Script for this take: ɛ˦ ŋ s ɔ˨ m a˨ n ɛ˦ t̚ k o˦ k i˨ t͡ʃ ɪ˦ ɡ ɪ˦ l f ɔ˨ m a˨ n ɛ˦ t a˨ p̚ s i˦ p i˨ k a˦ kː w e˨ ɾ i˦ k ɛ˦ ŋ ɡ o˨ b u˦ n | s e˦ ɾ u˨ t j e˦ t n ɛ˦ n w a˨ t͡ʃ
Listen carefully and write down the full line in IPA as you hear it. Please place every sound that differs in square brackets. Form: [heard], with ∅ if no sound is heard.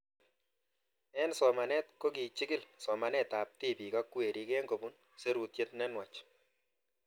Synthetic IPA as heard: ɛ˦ [n] s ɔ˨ m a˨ n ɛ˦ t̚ k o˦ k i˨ t͡ʃ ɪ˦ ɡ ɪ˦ l [s] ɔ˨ m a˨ n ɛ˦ t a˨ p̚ [t] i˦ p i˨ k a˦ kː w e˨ ɾ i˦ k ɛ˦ ŋ ɡ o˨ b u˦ n | s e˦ ɾ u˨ t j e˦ t n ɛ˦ n w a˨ t͡ʃ

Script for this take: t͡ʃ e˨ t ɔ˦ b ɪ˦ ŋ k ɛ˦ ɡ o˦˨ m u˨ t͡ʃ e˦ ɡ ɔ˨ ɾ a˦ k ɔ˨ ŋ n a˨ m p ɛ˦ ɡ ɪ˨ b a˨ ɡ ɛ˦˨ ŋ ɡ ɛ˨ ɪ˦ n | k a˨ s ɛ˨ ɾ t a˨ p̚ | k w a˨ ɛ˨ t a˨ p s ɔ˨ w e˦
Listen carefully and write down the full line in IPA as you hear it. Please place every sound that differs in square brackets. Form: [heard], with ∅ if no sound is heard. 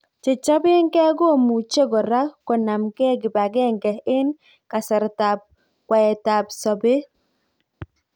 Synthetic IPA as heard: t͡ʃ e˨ [t͡ʃ] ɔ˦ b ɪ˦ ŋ k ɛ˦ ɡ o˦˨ m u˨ t͡ʃ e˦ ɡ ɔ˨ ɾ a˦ k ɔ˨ [∅] n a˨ m [k] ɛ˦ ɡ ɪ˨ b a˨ ɡ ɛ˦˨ ŋ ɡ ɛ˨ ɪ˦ n | k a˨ s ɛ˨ ɾ t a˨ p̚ | k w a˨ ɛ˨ t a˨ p s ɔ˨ [b] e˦

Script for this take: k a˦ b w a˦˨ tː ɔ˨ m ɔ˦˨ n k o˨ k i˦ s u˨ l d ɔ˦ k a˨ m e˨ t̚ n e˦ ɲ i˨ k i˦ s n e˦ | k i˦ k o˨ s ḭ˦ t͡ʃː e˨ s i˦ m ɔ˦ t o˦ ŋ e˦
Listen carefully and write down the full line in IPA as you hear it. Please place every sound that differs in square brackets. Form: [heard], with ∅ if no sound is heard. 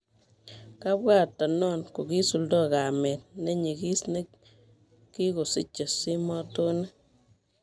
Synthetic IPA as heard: k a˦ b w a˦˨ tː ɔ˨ [n] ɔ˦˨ n k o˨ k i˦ s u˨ l d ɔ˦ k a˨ m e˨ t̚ n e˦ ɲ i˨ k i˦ s n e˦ | k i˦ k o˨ s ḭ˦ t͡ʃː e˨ s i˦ m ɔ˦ t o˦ [n] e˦

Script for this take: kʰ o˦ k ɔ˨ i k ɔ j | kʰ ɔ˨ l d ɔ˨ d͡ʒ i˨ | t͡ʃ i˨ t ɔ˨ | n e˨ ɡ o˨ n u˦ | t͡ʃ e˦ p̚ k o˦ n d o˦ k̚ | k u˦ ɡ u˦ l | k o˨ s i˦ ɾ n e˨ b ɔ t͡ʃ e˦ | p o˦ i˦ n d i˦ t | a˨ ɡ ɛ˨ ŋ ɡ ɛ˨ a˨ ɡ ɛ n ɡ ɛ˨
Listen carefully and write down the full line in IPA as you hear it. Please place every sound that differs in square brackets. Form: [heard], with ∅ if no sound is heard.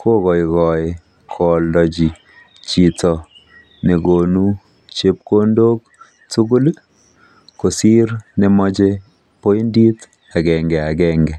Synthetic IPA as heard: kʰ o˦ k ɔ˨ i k ɔ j | kʰ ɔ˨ l d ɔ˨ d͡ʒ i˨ | t͡ʃ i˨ t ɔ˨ | n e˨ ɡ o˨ n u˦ | t͡ʃ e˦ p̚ k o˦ n d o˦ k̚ | [t] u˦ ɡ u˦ l | k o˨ s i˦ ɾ n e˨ [m] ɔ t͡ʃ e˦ | p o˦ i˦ n d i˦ t | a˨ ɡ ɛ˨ ŋ ɡ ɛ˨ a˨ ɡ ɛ [ŋ] ɡ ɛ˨

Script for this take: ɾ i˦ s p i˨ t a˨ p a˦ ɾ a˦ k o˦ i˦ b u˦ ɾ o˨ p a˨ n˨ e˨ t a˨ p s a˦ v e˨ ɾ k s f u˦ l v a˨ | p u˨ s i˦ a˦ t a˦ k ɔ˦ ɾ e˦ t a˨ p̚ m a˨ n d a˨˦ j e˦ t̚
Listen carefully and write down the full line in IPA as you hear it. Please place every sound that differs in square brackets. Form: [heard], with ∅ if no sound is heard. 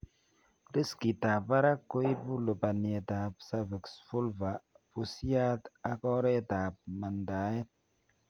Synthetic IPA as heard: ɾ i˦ s [k] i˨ t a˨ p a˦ ɾ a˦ k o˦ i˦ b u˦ [l] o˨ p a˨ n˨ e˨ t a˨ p s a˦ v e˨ [∅] k s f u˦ l v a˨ | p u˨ s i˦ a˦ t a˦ k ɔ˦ ɾ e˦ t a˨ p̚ m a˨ n d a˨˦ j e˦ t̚

